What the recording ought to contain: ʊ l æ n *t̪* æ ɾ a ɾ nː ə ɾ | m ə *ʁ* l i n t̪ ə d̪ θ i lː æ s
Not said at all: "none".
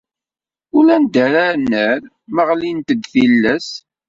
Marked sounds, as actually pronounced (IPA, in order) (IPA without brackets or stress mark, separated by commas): d̪, ʁ